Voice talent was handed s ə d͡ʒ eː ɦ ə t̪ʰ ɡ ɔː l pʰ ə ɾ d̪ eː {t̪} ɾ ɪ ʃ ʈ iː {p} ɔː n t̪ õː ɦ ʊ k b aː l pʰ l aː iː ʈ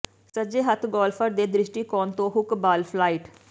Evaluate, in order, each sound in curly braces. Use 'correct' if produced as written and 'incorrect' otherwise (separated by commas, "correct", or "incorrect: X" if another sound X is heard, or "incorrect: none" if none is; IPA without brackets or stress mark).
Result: incorrect: d̪, incorrect: k